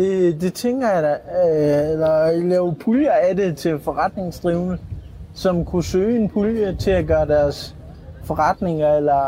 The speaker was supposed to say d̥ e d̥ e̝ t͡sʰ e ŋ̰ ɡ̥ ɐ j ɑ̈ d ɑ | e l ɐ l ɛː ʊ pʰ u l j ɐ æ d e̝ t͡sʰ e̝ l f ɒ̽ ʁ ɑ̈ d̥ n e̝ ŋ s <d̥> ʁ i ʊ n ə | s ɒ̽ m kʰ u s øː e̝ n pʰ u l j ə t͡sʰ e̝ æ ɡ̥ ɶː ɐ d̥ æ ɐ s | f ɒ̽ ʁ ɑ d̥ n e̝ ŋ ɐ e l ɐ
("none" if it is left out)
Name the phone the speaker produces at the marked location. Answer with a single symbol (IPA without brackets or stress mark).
d̥